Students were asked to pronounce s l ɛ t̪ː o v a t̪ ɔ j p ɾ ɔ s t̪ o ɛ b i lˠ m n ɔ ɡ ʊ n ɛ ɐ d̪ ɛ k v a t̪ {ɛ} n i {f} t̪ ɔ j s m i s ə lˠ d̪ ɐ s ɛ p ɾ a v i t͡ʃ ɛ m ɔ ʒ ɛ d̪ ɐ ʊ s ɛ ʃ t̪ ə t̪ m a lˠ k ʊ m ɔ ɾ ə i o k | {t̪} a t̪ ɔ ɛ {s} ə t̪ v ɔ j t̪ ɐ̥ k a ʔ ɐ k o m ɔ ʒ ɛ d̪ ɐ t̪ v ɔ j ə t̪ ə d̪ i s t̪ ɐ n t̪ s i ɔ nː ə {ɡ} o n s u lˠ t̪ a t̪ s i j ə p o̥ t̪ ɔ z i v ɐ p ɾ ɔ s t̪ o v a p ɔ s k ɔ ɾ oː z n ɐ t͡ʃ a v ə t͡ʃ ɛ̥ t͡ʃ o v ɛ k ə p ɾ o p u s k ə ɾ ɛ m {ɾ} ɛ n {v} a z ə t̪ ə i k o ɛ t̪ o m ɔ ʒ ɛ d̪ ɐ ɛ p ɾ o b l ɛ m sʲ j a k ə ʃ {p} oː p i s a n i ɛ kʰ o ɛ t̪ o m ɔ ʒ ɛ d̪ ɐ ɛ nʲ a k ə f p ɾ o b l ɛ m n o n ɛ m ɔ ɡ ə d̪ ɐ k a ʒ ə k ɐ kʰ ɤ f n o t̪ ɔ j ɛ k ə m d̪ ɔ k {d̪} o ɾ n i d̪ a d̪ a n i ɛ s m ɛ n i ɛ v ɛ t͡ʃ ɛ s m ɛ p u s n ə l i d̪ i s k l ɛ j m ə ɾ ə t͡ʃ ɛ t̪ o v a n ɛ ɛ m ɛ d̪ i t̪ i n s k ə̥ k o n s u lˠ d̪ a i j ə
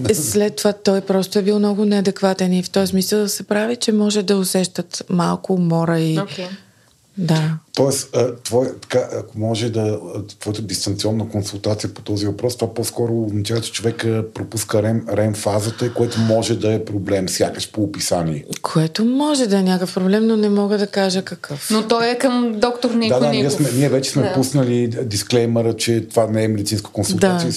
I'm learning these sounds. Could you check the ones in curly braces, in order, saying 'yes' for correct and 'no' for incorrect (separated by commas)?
yes, yes, no, yes, no, yes, no, yes, no